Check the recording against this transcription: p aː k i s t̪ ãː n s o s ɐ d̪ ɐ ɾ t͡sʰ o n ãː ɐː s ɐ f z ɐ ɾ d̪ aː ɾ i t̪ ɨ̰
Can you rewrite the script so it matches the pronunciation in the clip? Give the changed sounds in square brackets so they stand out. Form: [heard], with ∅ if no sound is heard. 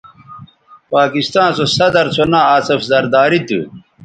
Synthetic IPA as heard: p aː k i s t̪ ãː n s o s ɐ d̪ ɐ ɾ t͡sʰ o n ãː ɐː s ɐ f z ɐ ɾ d̪ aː ɾ i t̪ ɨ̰

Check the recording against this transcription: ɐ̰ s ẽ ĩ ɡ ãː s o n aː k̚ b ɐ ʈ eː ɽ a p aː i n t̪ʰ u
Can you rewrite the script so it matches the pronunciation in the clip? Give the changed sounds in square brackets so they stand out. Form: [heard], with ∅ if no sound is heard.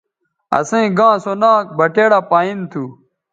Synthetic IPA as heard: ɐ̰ s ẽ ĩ ɡ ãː s o n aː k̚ b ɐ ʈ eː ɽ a p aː i n t̪ʰ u

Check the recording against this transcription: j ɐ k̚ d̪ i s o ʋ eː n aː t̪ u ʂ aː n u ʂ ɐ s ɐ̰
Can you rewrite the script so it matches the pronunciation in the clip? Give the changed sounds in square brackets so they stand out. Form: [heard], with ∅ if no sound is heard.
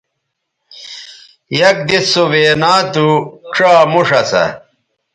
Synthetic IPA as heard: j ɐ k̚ d̪ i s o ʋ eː n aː t̪ u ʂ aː [m] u ʂ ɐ s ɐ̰

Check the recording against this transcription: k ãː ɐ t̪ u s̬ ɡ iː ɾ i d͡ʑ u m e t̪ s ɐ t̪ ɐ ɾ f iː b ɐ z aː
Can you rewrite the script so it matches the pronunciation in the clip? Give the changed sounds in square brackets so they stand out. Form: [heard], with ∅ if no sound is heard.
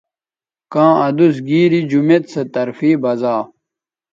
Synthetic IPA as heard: k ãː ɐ [d̪] u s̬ ɡ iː ɾ i d͡ʑ u m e t̪ s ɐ t̪ ɐ ɾ f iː b ɐ z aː

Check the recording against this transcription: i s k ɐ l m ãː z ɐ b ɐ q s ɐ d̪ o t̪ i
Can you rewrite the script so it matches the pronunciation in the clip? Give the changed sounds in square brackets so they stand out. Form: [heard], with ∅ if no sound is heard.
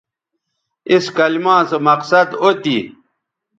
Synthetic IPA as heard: i s k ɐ l m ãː [s] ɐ [m] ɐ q s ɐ d̪ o t̪ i

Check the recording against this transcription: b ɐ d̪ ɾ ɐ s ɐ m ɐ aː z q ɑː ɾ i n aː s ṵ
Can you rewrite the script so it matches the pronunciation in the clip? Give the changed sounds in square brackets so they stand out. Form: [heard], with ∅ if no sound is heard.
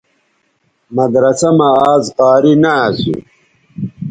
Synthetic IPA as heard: [m] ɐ d̪ ɾ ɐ s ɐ m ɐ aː z q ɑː ɾ i n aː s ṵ

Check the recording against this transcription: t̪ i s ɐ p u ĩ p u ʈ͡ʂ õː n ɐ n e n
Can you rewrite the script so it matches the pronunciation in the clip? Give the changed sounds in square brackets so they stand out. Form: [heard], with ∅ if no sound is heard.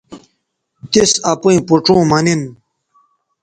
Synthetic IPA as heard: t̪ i s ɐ p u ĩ p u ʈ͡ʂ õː [m] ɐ n [i] n

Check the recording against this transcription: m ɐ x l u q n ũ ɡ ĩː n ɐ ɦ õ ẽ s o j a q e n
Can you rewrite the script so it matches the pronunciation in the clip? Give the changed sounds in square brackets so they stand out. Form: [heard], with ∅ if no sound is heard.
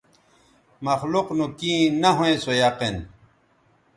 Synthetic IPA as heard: m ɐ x l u q n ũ [k] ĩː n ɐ ɦ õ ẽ s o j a q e n

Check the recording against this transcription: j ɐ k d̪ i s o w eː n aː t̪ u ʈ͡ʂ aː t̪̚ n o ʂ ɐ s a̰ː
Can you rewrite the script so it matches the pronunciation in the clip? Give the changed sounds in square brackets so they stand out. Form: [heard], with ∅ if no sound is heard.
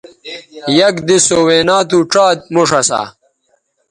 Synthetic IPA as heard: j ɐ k d̪ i s o w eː n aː t̪ u ʈ͡ʂ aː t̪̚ [m] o ʂ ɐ s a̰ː

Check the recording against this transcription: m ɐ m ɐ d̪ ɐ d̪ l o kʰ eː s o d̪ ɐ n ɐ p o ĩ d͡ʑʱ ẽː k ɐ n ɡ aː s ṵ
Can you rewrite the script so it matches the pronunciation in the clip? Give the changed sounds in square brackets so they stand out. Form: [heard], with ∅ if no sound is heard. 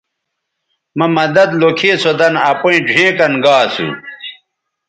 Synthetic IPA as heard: m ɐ m ɐ d̪ ɐ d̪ l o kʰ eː s o d̪ ɐ n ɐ p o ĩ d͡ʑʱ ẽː k ɐ n ɡ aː s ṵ

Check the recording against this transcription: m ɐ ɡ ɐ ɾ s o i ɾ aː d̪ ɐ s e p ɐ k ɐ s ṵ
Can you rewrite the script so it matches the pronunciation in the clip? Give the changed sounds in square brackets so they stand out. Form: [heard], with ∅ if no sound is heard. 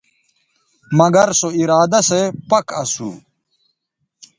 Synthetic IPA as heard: m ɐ ɡ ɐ ɾ s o i ɾ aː d̪ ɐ s e p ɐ k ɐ s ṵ

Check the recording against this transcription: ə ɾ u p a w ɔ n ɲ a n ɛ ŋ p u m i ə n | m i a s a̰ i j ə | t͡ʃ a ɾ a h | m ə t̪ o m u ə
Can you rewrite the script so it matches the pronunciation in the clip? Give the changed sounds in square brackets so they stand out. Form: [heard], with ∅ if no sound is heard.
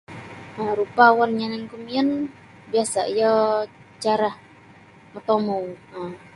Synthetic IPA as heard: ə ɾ u p a w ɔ n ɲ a n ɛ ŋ [k] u m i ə n | [b] i a s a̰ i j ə | t͡ʃ a ɾ a h | m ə t̪ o m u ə

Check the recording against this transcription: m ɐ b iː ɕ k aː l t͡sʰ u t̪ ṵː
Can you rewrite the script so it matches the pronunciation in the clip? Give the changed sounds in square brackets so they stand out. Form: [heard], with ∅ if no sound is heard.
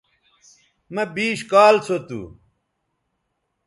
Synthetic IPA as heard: m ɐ b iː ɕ k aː l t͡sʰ [o] t̪ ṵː

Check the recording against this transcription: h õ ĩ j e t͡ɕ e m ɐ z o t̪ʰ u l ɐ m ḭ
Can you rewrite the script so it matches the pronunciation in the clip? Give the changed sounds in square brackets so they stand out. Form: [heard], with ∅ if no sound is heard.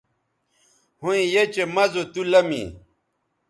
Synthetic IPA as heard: h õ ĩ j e t͡ɕ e m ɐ z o [t̪] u l ɐ m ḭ

